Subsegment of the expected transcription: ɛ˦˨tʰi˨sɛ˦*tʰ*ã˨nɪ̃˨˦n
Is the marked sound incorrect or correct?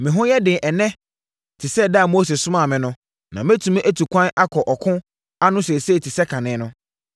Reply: incorrect